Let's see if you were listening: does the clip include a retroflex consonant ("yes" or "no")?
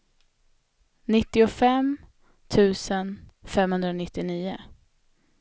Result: no